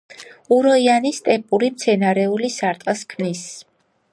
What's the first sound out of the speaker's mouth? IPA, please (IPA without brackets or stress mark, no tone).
u